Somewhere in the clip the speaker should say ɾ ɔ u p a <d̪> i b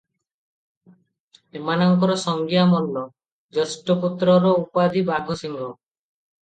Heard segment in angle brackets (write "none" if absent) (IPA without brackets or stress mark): d̪